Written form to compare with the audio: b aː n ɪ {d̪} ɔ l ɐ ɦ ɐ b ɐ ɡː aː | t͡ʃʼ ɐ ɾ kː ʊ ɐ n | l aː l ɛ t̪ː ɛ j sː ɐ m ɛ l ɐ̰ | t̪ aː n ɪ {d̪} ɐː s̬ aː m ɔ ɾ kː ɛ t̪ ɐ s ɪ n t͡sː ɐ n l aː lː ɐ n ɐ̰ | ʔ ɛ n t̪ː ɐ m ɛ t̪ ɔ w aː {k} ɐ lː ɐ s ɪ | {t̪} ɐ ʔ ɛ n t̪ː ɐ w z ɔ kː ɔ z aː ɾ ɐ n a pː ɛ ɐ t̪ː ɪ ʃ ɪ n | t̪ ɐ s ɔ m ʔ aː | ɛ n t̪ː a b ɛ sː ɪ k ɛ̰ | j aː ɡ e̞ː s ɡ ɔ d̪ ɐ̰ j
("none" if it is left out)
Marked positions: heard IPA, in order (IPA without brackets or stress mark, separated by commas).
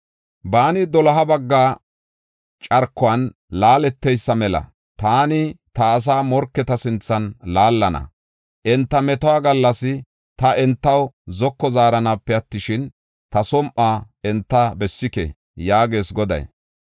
d̪, t̪, ɡ, t̪